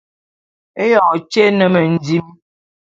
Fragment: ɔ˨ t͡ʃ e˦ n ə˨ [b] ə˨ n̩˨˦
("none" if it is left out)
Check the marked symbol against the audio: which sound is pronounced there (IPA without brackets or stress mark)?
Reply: m